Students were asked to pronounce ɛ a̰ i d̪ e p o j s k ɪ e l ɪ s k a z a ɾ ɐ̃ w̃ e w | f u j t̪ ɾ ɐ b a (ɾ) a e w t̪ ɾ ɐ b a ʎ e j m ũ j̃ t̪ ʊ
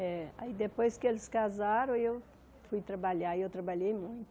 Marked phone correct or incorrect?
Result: incorrect